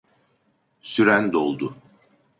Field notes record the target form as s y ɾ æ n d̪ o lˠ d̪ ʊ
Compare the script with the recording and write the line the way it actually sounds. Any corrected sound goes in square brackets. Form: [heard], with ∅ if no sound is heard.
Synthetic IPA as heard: s y ɾ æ n d̪ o lˠ d̪ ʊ